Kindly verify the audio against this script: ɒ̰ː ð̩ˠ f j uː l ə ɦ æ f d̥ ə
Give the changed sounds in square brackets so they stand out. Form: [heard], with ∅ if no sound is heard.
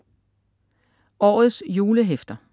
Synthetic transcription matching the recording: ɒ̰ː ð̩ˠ [s] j uː l ə ɦ [e] f d̥ [ɐ]